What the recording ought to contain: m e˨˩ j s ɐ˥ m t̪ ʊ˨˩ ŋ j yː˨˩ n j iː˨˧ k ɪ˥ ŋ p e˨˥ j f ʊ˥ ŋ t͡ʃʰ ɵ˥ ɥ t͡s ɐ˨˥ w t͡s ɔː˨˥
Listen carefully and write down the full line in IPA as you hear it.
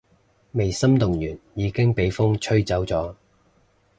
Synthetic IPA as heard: m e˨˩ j s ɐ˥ m t̪ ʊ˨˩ ŋ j yː˨˩ n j iː˨˧ k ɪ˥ ŋ p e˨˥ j f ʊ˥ ŋ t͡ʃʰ ɵ˥ ɥ t͡s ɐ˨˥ w t͡s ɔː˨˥